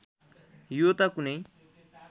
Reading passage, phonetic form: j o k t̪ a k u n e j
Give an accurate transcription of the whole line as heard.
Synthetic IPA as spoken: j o t̪ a k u n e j